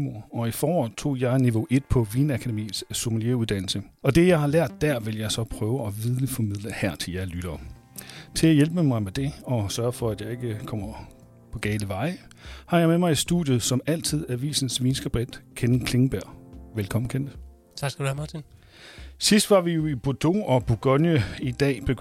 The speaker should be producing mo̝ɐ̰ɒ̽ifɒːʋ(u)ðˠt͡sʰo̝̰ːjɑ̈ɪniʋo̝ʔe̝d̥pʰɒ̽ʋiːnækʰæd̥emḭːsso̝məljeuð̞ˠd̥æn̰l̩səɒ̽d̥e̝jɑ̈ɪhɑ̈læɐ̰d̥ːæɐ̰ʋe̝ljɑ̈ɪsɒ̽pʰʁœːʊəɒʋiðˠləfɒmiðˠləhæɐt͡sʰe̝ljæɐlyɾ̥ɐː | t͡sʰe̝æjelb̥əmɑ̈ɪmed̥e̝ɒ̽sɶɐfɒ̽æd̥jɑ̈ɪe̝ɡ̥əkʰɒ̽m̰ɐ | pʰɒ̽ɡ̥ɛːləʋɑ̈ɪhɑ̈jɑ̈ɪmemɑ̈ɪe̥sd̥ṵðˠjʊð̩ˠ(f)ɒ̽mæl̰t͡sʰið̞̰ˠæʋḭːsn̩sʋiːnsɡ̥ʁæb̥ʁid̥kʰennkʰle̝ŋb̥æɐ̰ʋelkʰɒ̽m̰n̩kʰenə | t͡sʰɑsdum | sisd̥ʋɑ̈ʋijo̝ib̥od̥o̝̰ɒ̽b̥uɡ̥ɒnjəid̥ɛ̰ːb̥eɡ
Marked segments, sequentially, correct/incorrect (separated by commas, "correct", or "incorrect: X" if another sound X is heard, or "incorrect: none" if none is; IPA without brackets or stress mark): incorrect: ɒ, incorrect: s